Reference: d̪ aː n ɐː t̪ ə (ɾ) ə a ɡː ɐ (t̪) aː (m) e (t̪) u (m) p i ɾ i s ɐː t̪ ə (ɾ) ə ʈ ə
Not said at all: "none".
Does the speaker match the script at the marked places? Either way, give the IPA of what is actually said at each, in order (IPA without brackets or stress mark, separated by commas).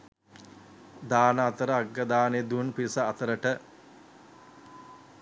ɾ, d̪, n, d̪, n, ɾ